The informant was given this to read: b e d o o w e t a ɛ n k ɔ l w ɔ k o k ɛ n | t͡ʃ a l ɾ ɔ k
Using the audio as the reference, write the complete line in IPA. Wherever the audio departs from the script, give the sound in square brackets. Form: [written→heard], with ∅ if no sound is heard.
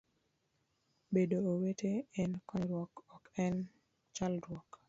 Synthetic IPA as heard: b e d o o w e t [a→e] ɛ n k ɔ [l→ɾ] w ɔ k [o→ɔ] k ɛ n | t͡ʃ a l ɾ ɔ k